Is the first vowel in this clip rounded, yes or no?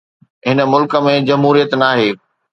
no